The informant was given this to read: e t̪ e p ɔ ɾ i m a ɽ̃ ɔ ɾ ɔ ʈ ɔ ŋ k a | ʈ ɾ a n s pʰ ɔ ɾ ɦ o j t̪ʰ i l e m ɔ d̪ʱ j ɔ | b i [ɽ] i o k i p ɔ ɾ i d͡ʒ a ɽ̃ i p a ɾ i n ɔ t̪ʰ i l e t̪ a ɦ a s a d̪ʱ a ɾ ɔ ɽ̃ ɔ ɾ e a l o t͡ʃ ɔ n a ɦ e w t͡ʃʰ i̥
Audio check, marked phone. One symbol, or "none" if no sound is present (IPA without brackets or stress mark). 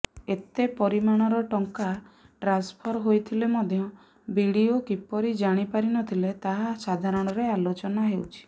ɽ